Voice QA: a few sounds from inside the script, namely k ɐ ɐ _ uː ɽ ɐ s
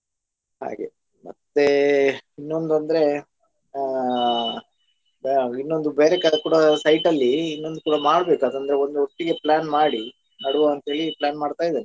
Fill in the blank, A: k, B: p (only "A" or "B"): A